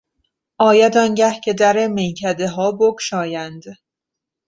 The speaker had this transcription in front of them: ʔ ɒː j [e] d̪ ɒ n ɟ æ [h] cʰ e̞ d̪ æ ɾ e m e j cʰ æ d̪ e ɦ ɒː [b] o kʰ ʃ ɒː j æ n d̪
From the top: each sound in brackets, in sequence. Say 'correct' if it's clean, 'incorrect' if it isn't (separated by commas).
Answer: incorrect, correct, correct